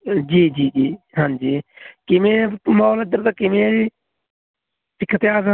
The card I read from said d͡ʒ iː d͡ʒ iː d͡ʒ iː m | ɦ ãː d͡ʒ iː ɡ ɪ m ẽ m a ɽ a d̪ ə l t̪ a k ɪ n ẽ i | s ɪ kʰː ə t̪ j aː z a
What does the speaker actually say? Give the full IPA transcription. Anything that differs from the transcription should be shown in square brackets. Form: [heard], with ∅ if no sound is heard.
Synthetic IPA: d͡ʒ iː d͡ʒ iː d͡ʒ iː [∅] | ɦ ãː d͡ʒ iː [k] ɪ m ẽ m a [l] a d̪ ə [ɾ] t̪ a k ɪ [m] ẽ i | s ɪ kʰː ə t̪ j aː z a

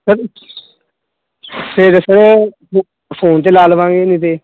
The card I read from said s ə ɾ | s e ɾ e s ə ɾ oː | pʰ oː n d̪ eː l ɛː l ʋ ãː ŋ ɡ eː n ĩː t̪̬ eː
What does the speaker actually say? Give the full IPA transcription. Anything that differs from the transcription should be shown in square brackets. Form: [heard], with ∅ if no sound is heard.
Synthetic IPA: s ə ɾ | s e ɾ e s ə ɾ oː | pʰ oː n [t̪] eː l [aː] l ʋ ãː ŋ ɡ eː n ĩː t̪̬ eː

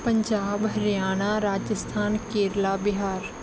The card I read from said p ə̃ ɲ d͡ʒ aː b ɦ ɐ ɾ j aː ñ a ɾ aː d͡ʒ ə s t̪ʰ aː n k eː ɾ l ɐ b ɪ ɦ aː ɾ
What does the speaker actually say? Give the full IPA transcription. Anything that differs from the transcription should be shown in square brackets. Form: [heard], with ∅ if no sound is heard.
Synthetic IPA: p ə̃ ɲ d͡ʒ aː b ɦ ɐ ɾ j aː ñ a ɾ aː d͡ʒ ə s t̪ʰ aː n k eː ɾ l [a] b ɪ ɦ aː ɾ

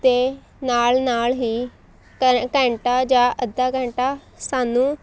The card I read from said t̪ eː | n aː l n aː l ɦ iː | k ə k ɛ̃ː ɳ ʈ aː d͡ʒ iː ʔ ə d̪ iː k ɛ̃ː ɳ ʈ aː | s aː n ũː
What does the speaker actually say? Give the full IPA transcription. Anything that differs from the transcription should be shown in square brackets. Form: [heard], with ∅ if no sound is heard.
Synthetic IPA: t̪ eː | n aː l n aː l ɦ iː | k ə k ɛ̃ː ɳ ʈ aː d͡ʒ [aː] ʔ ə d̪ [aː] k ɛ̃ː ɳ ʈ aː | s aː n ũː

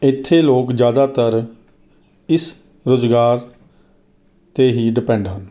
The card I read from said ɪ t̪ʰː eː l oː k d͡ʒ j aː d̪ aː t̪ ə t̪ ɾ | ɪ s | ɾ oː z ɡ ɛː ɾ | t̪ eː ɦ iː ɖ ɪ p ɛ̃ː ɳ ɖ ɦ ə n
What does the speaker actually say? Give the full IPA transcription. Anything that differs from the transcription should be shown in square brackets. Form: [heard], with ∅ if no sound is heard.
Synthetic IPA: ɪ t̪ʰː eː l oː k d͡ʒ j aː d̪ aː t̪ ə [∅] ɾ | ɪ s | ɾ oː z ɡ [aː] ɾ | t̪ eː ɦ iː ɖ ɪ p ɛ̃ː ɳ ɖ ɦ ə n

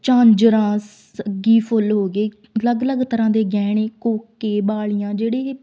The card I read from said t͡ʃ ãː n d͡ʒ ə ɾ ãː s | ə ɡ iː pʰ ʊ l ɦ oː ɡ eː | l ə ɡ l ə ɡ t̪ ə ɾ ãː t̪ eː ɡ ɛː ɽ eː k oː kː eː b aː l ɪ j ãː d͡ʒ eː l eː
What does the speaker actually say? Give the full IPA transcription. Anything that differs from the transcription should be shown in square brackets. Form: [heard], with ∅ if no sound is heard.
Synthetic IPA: t͡ʃ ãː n d͡ʒ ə ɾ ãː s | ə ɡ iː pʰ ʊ l ɦ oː ɡ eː | l ə ɡ l ə ɡ t̪ ə ɾ ãː [d̪] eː ɡ ɛː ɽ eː k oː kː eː b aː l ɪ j ãː d͡ʒ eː [ɽ] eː

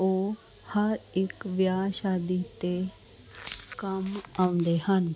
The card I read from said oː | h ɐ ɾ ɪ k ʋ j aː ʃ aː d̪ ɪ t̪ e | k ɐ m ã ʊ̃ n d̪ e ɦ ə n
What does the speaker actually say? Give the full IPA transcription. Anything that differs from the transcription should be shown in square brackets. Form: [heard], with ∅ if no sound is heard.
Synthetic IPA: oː | h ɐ ɾ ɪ k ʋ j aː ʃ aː d̪ [i] t̪ e | k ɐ m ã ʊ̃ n d̪ e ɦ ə n

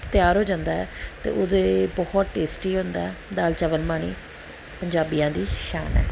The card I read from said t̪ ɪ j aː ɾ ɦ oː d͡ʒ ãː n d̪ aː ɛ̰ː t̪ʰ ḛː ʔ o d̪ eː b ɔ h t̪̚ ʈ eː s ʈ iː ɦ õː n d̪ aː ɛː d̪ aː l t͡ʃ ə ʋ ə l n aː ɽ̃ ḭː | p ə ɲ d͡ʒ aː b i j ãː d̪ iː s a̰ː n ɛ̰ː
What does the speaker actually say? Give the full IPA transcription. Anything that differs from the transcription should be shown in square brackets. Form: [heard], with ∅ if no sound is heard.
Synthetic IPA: t̪ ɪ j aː ɾ ɦ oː d͡ʒ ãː n d̪ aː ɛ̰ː [t̪] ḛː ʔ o d̪ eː b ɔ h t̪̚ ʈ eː s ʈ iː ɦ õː n d̪ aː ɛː d̪ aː l t͡ʃ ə ʋ ə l [m] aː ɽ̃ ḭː | p ə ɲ d͡ʒ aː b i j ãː d̪ iː [ʃ] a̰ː n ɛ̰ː

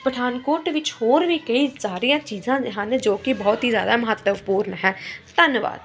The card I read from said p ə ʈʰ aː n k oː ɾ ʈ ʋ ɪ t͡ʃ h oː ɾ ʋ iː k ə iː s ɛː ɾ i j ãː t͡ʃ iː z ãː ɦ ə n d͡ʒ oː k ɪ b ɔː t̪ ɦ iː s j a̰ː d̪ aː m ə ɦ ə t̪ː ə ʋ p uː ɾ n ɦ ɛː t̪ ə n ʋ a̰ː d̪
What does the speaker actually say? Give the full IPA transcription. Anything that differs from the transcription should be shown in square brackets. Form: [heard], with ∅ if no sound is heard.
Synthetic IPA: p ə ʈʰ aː n k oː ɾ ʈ ʋ ɪ t͡ʃ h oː ɾ ʋ iː k ə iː s [aː] ɾ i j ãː t͡ʃ iː z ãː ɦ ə n d͡ʒ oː k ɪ b ɔː t̪ ɦ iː [z] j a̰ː d̪ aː m ə ɦ ə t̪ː ə ʋ p uː ɾ n ɦ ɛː t̪ ə n ʋ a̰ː d̪

